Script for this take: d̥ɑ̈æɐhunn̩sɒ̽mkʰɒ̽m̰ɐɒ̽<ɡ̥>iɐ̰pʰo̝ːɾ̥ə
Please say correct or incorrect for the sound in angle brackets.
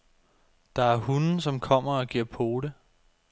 correct